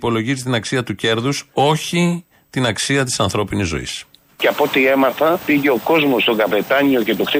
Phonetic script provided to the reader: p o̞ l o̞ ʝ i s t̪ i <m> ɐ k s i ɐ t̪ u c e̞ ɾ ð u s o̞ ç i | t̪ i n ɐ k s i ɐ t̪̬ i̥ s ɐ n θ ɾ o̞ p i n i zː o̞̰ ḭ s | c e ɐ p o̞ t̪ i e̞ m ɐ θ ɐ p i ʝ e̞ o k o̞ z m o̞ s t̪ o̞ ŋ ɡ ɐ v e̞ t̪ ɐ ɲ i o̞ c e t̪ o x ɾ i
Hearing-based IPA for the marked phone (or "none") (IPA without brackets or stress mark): n